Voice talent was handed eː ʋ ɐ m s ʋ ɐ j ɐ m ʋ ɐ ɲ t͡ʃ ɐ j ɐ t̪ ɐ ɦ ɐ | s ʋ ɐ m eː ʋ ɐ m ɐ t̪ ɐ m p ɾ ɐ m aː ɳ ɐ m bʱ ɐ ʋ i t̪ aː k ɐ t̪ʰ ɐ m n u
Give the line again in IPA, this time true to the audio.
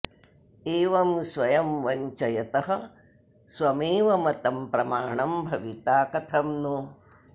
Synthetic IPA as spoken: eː ʋ ɐ m s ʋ ɐ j ɐ m ʋ ɐ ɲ t͡ʃ ɐ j ɐ t̪ ɐ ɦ ɐ | s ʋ ɐ m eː ʋ ɐ m ɐ t̪ ɐ m p ɾ ɐ m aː ɳ ɐ m bʱ ɐ ʋ i t̪ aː k ɐ t̪ʰ ɐ m n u

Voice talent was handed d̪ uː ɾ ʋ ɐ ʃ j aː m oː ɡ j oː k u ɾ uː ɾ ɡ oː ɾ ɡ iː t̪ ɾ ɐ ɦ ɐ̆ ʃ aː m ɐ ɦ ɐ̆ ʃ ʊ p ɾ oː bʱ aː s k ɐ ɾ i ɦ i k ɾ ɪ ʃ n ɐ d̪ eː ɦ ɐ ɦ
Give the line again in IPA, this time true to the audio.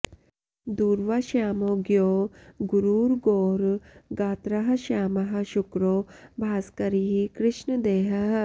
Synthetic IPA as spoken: d̪ uː ɾ ʋ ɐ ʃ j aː m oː ɡ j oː ɡ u ɾ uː ɾ ɡ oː ɾ ɡ aː t̪ ɾ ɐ ɦ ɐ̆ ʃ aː m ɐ ɦ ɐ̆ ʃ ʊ k ɾ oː bʱ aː s k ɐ ɾ i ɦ i k ɾ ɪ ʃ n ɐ d̪ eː ɦ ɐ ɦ

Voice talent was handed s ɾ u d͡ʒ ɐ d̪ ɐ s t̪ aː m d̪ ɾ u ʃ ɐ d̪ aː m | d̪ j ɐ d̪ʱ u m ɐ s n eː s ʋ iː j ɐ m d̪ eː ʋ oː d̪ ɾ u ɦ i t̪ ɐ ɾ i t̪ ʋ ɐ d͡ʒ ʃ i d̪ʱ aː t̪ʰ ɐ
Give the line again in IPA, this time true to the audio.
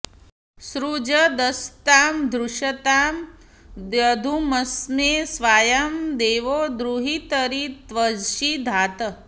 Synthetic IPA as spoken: s ɾ u d͡ʒ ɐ d̪ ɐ s t̪ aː m d̪ ɾ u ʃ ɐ t̪ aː m | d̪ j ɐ d̪ʱ u m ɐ s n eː s ʋ aː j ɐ m d̪ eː ʋ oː d̪ ɾ u ɦ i t̪ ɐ ɾ i t̪ ʋ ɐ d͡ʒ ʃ i d̪ʱ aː t̪ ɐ

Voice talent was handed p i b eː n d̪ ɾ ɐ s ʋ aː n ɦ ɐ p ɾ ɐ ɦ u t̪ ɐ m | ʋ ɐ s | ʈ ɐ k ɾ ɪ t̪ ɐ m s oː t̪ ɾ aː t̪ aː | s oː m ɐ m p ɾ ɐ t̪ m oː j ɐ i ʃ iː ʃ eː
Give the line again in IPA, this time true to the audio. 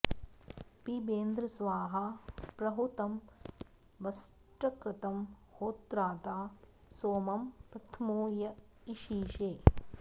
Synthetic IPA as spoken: p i b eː n d̪ ɾ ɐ s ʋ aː ɦ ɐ p ɾ ɐ ɦ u t̪ ɐ m | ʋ ɐ s | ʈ ɐ k ɾ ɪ t̪ ɐ m h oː t̪ ɾ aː t̪ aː | s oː m ɐ m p ɾ ɐ t̪ʰ m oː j ɐ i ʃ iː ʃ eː

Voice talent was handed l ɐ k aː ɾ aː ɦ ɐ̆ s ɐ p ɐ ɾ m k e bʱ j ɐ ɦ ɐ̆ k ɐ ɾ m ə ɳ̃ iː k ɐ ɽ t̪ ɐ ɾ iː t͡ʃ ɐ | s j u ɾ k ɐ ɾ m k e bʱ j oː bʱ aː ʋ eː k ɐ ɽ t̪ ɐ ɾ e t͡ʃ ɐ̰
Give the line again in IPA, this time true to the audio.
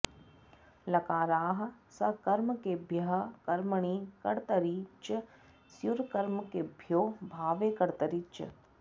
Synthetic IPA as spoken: l ɐ k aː ɾ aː ɦ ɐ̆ s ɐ k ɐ ɾ m k e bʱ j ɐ ɦ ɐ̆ k ɐ ɾ m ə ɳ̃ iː k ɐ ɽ t̪ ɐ ɾ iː t͡ʃ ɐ | s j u ɾ k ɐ ɾ m k e bʱ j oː bʱ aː ʋ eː k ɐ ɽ t̪ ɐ ɾ i t͡ʃ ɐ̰

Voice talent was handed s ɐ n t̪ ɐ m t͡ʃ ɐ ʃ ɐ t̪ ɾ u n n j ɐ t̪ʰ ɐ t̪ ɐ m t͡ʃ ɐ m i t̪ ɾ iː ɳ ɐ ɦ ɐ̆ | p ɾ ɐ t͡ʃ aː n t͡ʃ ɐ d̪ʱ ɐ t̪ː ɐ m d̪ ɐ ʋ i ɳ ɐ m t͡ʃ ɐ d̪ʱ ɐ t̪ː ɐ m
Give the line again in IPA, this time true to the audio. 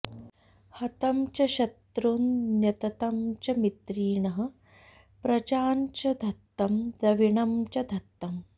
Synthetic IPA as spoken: h ɐ t̪ ɐ m t͡ʃ ɐ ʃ ɐ t̪ ɾ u n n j ɐ t̪ ɐ t̪ ɐ m t͡ʃ ɐ m i t̪ ɾ iː ɳ ɐ ɦ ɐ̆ | p ɾ ɐ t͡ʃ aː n t͡ʃ ɐ d̪ʱ ɐ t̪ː ɐ m d̪ ɐ ʋ i ɳ ɐ m t͡ʃ ɐ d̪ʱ ɐ t̪ː ɐ m

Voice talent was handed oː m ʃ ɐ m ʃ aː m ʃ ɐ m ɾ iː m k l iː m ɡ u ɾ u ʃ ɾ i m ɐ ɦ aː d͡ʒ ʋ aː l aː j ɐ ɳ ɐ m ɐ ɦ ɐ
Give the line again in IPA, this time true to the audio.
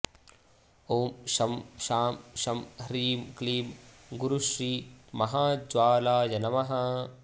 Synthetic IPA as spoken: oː m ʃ ɐ m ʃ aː m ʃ ɐ m ɾ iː m k l iː m ɡ u ɾ u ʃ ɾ iː m ɐ ɦ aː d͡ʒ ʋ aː l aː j ɐ n ɐ m ɐ ɦ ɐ

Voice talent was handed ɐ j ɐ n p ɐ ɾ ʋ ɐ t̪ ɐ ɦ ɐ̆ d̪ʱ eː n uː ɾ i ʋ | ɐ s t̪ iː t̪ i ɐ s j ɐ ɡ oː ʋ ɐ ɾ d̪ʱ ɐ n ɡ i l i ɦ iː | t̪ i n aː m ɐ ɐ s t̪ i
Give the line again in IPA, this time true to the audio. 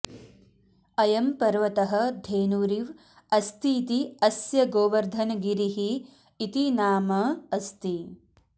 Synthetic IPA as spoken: ɐ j ɐ m p ɐ ɾ ʋ ɐ t̪ ɐ ɦ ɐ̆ d̪ʱ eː n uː ɾ i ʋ | ɐ s t̪ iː t̪ i ɐ s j ɐ ɡ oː ʋ ɐ ɾ d̪ʱ ɐ n ɡ i ɾ i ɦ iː | t̪ i n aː m ɐ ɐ s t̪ i

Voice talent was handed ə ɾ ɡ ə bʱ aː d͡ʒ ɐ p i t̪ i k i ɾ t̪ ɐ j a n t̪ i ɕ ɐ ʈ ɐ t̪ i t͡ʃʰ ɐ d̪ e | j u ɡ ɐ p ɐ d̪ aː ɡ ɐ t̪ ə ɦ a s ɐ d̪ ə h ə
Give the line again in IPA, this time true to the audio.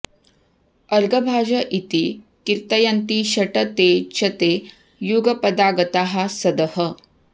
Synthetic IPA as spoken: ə ɾ ɡ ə bʱ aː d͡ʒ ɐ ʔ i t̪ i k i ɾ t̪ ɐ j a n t̪ i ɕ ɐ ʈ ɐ t̪ e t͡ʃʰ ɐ t̪ e | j u ɡ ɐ p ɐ d̪ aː ɡ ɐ t̪ a ɦ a s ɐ d̪ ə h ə

